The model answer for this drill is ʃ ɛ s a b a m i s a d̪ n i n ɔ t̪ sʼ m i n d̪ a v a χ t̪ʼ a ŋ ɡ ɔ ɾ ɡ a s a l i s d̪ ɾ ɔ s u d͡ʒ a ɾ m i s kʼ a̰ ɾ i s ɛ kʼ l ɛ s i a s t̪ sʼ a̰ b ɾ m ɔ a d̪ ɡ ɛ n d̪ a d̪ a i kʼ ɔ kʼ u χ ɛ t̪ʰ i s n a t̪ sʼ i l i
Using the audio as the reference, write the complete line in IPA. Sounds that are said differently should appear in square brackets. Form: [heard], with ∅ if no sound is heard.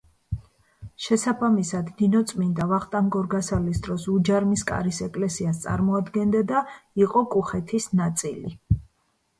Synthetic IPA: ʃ ɛ s a b a m i s a d̪ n i n ɔ t̪ sʼ m i n d̪ a v a χ t̪ʼ a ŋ ɡ ɔ ɾ ɡ a s a l i s d̪ ɾ ɔ s u d͡ʒ a ɾ m i s kʼ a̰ ɾ i s ɛ kʼ l ɛ s i a s t̪ sʼ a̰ [∅] ɾ m ɔ a d̪ ɡ ɛ n d̪ a d̪ a i [qʼ] ɔ kʼ u χ ɛ t̪ʰ i s n a t̪ sʼ i l i